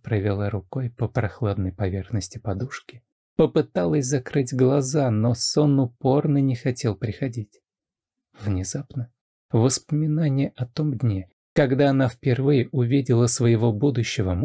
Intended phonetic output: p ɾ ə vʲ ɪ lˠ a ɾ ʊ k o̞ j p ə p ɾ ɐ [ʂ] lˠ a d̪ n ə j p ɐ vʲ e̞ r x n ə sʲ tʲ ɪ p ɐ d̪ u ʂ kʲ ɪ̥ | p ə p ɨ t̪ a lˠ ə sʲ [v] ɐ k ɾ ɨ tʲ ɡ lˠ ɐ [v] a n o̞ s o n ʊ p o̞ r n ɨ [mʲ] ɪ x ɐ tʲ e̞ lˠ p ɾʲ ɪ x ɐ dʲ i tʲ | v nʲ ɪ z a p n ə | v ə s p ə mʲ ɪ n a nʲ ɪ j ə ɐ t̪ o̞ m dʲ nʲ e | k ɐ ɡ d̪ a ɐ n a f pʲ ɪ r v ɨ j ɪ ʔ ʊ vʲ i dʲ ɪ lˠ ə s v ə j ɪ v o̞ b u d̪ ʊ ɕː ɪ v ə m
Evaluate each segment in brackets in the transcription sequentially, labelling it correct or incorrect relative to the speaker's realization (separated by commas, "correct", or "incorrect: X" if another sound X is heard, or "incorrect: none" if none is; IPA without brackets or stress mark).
incorrect: x, incorrect: z, incorrect: z, incorrect: nʲ